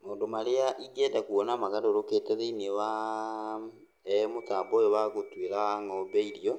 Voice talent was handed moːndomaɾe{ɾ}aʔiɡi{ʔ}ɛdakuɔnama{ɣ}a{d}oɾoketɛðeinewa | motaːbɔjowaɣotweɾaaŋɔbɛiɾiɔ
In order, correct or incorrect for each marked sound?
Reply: incorrect, incorrect, correct, correct

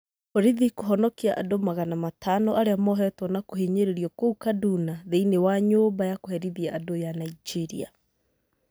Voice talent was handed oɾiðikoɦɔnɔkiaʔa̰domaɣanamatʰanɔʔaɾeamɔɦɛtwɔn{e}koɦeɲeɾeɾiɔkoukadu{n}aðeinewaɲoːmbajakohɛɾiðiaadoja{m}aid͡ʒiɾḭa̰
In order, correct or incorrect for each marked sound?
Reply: incorrect, correct, incorrect

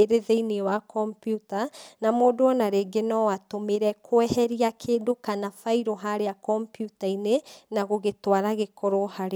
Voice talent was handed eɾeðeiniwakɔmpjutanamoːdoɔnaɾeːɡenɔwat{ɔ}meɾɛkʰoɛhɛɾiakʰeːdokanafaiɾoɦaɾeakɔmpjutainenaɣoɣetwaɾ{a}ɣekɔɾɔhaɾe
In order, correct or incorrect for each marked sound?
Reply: incorrect, correct

